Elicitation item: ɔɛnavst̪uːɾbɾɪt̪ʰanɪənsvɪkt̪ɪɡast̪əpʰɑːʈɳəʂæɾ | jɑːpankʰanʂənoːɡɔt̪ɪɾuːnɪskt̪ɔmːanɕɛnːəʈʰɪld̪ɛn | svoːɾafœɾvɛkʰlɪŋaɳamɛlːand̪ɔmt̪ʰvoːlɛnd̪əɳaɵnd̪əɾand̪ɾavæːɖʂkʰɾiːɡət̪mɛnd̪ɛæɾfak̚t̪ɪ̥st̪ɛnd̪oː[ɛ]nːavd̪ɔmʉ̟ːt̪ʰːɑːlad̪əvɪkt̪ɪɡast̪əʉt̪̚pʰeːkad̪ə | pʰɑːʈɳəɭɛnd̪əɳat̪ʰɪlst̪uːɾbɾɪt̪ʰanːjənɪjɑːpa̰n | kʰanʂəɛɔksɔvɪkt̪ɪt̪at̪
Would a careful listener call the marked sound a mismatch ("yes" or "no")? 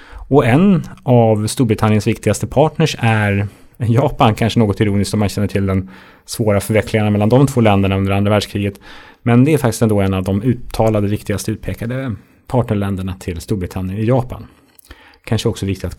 no